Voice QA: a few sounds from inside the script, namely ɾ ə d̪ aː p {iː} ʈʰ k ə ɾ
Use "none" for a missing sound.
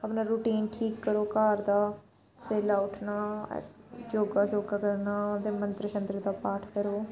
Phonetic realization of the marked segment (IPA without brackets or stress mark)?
aː